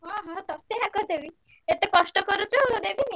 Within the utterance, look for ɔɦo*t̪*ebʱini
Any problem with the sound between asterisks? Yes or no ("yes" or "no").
yes